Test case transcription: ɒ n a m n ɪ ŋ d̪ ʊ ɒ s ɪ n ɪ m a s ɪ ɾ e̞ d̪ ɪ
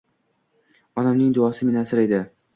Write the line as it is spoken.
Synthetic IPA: ɒ n a m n ɪ ŋ d̪ ʊ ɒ s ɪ m ɪ n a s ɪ ɾ e̞ d̪ ɪ

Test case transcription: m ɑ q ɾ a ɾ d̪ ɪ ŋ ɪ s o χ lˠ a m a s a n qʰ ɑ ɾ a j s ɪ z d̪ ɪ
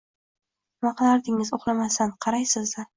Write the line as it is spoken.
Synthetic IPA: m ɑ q l a ɾ d̪ ɪ ŋ ɪ z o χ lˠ a m a s a n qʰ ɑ ɾ a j s ɪ z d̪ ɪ

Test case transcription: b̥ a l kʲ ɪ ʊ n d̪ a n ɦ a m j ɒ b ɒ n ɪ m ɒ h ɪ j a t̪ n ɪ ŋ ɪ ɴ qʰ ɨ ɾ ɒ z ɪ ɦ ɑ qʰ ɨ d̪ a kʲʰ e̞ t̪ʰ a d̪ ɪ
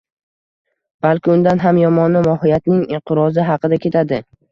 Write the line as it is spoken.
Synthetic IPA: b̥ a l kʲ ɪ ʊ n d̪ a n ɦ a m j ɒ m ɒ n ɪ m ɒ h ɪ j a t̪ n ɪ ŋ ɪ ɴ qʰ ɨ ɾ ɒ z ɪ ɦ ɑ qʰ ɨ d̪ a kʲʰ e̞ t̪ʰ a d̪ ɪ

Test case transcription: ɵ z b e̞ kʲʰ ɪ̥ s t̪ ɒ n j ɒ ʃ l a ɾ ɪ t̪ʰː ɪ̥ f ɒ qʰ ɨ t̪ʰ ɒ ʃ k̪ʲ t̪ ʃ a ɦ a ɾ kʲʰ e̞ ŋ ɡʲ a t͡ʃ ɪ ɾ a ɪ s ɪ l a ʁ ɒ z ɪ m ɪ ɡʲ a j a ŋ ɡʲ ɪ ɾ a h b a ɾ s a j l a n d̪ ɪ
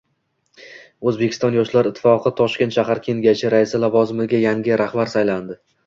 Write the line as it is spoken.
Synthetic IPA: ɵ z b e̞ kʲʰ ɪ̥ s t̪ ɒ n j ɒ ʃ l a ɾ ɪ t̪ʰː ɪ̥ f ɒ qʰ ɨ t̪ʰ ɒ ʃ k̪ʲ t̪ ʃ a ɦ a ɾ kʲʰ e̞ ŋ ɡʲ a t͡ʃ ɪ ɾ a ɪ s ɪ l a v ɒ z ɪ m ɪ ɡʲ a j a ŋ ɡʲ ɪ ɾ a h b a ɾ s a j l a n d̪ ɪ

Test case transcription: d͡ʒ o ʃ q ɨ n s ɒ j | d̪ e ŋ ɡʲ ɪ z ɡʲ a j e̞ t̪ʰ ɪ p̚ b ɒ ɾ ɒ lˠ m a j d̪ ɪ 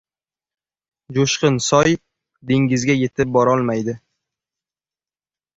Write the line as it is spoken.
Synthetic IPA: d͡ʒ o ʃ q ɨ n s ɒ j | d̪ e ŋ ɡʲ ɪ z ɡʲ a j e̞ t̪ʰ ɪ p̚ b ɒ ɾ ɒ lˠ m a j d̪ ɪ

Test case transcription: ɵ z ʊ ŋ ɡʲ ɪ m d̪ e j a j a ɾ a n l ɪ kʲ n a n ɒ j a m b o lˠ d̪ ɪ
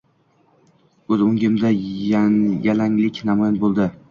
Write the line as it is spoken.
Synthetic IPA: ɵ z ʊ ŋ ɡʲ ɪ m d̪ a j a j a l a ŋ l ɪ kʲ n a m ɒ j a n b o lˠ d̪ ɪ

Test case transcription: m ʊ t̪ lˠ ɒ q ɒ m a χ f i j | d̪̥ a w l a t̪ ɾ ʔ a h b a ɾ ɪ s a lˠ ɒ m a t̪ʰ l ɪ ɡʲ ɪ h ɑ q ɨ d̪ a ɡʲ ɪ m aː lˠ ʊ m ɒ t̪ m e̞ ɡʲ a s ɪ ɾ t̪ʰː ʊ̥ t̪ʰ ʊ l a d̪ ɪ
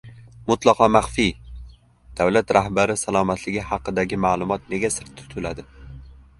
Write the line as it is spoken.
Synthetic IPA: m ʊ t̪ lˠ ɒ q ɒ m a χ f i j | d̪̥ a w l a t̪ ɾ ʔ a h b a ɾ ɪ s a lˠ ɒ m a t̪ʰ l ɪ ɡʲ ɪ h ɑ q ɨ d̪ a ɡʲ ɪ m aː lˠ ʊ m ɒ t̪ n e̞ ɡʲ a s ɪ ɾ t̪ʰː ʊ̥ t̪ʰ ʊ l a d̪ ɪ

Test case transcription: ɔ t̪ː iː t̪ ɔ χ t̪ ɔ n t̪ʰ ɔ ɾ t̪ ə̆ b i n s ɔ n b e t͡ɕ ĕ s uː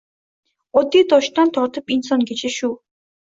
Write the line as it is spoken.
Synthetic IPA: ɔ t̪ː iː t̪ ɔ ʃ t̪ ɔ n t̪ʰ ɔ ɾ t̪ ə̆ p i n s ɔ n ɡ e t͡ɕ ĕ ʃ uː

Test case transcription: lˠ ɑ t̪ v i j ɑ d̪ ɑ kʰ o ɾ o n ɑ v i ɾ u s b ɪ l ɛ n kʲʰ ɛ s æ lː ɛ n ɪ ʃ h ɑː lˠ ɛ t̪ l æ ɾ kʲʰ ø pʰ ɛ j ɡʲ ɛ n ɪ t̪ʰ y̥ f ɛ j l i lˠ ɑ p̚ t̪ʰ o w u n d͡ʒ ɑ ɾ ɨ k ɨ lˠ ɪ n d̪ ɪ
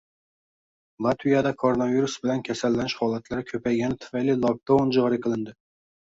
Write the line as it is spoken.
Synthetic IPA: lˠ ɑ t̪ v i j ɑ d̪ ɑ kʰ o ɾ o n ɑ v i ɾ u s b ɪ l ɛ n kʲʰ ɛ s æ lː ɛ n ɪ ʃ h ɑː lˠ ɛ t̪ l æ ɾ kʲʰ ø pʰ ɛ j ɡʲ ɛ n ɪ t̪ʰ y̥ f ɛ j l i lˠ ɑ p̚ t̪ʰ o w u n d͡ʒ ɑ ɾ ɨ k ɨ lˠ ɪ n d̪ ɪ

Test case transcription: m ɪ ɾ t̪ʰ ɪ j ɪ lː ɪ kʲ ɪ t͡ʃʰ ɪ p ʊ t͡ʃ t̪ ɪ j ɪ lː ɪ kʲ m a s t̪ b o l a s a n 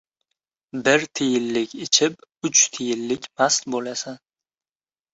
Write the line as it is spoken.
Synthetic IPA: b ɪ ɾ t̪ʰ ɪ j ɪ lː ɪ kʲ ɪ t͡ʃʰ ɪ p ʊ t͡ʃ t̪ʰ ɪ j ɪ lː ɪ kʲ m a s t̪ b o l a s a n

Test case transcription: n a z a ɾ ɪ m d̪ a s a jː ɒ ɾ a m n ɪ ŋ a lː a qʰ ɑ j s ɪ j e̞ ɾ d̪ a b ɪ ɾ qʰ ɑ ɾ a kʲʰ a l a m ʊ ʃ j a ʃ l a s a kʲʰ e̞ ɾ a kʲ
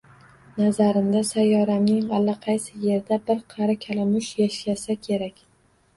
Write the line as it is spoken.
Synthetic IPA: n a z a ɾ ɪ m d̪ a s a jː ɒ ɾ a m n ɪ ŋ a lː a qʰ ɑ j s ɪ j e̞ ɾ d̪ a b ɪ ɾ qʰ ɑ ɾ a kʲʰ a l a m ʊ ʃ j a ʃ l a s a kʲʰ e̞ ɾ a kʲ

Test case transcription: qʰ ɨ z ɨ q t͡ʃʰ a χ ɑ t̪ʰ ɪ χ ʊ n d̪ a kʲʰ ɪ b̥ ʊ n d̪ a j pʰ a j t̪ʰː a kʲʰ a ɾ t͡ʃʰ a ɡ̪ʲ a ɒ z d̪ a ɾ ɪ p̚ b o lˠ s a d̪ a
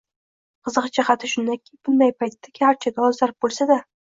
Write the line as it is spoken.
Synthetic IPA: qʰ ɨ z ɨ q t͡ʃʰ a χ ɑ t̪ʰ ɪ ʃ ʊ n d̪ a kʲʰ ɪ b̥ ʊ n d̪ a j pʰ a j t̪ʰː a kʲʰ a ɾ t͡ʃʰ a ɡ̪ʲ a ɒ z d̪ a ɾ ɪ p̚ b o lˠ s a d̪ a

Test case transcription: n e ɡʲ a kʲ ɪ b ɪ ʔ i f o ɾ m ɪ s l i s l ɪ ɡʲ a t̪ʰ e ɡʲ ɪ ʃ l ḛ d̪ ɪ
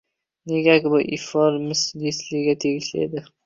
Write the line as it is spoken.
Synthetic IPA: n e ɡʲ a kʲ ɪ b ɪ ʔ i f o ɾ m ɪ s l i s l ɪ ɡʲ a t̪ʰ e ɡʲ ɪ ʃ l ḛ d̪ ɪ

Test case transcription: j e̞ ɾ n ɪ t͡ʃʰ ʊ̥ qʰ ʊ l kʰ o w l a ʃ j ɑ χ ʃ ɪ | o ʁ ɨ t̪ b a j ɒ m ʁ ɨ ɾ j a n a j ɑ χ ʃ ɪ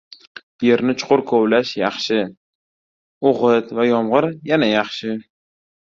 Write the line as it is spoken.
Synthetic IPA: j e̞ ɾ n ɪ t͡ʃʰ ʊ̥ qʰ ʊ ɾ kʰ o w l a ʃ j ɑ χ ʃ ɪ | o ʁ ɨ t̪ v a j ɒ m ʁ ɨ ɾ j a n a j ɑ χ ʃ ɪ

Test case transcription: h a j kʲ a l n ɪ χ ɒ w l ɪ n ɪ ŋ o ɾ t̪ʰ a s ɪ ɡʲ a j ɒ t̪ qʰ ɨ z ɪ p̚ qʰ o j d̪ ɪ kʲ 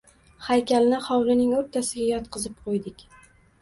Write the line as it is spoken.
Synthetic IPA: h a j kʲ a l n ɪ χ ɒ w l ɪ n ɪ ŋ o ɾ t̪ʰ a s ɪ ɡʲ a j ɒ t̪ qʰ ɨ z ɪ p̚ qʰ o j d̪ ɪ kʲ

